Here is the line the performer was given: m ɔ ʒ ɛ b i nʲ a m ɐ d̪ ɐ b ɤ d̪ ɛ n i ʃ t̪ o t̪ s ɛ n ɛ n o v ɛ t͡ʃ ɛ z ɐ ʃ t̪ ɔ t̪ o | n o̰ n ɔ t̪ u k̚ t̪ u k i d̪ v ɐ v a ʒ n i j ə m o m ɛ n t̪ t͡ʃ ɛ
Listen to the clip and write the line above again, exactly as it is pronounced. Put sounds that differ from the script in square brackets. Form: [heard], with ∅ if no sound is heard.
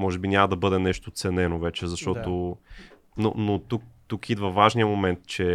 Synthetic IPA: m ɔ ʒ ɛ b i nʲ a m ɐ d̪ ɐ b ɤ d̪ ɛ n [ɛ] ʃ t̪ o t̪ s ɛ n ɛ n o v ɛ t͡ʃ ɛ z ɐ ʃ t̪ ɔ t̪ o | n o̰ n [o] t̪ u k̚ t̪ u k i d̪ v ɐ v a ʒ n i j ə m o m ɛ n t̪ t͡ʃ ɛ